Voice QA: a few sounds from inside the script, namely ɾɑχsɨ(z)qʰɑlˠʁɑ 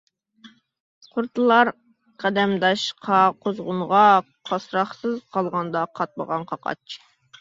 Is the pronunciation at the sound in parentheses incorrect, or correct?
correct